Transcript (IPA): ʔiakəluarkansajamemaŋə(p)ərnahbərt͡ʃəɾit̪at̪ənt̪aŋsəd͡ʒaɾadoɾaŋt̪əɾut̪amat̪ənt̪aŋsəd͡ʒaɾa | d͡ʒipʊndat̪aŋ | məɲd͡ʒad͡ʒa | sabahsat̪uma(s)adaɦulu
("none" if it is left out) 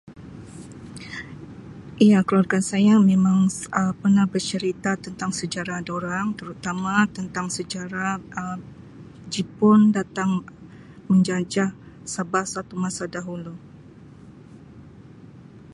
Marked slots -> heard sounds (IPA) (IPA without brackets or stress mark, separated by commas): p, s